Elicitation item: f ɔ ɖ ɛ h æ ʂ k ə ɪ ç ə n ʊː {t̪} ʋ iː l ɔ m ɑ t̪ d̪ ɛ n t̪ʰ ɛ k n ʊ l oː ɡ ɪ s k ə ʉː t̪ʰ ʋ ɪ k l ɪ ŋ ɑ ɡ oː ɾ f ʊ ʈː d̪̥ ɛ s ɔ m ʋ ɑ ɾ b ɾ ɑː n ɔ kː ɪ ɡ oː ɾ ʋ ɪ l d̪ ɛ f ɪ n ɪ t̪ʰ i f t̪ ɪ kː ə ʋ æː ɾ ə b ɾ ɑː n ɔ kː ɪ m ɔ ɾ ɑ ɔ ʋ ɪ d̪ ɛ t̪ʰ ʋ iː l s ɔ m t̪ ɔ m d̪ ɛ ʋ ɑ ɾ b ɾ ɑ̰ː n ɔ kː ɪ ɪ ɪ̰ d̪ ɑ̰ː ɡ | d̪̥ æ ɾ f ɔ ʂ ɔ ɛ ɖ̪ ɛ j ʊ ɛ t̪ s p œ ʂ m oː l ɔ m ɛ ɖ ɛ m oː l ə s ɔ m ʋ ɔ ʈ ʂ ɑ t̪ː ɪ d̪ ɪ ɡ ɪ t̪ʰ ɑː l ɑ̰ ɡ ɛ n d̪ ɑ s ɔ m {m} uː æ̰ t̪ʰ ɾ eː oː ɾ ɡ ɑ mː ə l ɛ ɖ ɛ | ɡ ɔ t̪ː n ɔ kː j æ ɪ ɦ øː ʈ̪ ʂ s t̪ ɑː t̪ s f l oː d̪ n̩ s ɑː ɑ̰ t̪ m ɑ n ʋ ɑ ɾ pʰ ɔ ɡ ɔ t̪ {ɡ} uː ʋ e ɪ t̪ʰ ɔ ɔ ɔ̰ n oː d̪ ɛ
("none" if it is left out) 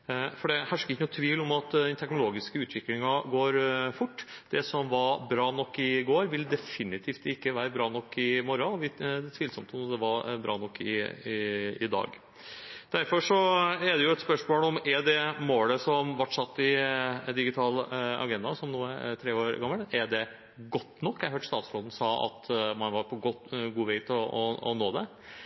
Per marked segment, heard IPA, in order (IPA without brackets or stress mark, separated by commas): t̪ʰ, n, ɡ